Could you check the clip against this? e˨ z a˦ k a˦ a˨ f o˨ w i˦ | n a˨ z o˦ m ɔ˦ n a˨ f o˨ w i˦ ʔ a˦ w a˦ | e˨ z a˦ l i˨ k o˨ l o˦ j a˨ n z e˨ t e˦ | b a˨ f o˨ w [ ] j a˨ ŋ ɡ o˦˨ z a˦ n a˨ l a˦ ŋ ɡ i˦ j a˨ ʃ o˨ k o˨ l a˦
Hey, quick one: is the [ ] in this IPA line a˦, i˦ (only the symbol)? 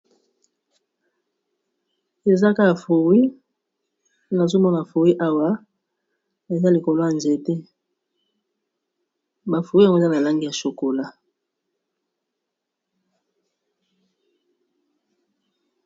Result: i˦